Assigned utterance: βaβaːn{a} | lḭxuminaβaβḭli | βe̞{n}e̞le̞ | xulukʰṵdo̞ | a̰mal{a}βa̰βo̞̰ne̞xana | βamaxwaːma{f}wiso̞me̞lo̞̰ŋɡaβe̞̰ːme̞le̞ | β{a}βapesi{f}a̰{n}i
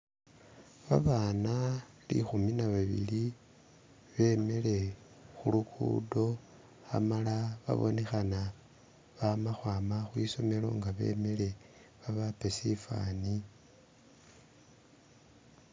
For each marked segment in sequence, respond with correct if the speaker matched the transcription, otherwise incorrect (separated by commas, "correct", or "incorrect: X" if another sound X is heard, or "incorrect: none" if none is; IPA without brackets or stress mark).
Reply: correct, incorrect: m, correct, incorrect: x, correct, correct, correct